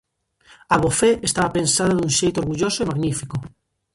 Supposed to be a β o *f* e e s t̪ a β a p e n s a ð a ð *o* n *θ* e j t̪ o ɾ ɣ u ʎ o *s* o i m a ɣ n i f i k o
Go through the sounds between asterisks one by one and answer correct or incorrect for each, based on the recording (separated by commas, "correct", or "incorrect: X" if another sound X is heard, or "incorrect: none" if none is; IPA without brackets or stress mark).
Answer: correct, incorrect: u, incorrect: ʃ, correct